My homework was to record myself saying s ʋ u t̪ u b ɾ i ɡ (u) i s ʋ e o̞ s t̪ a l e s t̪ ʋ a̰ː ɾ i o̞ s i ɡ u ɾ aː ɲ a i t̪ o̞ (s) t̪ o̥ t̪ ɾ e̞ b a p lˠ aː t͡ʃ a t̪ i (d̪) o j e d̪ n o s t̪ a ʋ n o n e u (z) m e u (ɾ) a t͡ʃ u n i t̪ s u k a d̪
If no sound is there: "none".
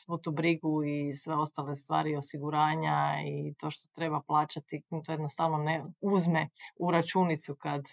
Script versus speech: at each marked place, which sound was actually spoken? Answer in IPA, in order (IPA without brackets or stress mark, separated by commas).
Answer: u, ʃ, t̪, z, ɾ